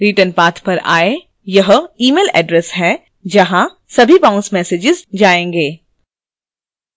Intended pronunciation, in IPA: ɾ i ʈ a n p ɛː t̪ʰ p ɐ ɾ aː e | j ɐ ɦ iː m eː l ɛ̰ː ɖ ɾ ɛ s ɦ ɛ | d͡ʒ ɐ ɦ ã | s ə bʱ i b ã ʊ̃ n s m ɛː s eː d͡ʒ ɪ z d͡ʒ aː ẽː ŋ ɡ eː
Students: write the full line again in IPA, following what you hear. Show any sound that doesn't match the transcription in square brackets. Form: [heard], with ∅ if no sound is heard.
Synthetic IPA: ɾ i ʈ [ə] n p [aː] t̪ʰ p ɐ ɾ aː e | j ɐ ɦ iː m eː l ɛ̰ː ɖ ɾ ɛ s ɦ ɛ | d͡ʒ ɐ ɦ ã | s [ɐ] bʱ i b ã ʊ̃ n s m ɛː s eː d͡ʒ ɪ z d͡ʒ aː ẽː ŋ ɡ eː